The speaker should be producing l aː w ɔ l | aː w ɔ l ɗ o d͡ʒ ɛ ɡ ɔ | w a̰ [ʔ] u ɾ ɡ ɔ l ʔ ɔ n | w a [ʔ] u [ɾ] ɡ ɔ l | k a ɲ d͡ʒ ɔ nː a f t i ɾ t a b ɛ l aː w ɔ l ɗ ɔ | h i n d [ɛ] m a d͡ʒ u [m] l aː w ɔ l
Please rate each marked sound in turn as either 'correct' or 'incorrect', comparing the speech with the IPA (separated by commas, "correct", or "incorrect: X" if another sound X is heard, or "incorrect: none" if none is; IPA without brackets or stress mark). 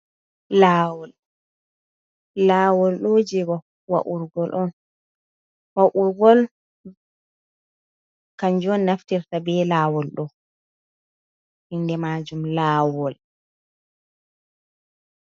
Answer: correct, correct, correct, correct, correct